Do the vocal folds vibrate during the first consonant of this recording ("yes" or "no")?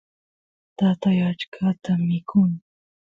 no